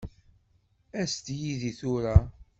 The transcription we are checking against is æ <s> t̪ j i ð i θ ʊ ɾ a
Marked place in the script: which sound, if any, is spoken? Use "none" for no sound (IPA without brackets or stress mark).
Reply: s